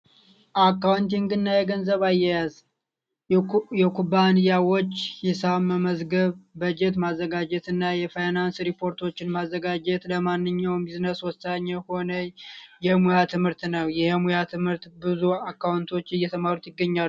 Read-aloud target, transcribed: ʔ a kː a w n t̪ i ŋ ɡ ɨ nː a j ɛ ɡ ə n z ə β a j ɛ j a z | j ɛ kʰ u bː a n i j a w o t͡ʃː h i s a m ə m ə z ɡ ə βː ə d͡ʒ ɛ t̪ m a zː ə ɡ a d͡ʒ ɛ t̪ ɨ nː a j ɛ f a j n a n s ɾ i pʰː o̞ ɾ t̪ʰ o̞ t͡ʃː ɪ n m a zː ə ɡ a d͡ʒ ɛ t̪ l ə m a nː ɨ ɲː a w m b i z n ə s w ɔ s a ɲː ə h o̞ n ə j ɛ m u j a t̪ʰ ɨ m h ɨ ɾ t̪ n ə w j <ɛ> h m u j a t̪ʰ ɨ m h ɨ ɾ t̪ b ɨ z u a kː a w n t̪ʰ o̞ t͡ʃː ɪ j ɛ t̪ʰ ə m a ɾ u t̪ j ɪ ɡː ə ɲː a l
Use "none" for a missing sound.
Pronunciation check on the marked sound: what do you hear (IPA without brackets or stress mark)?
ɛ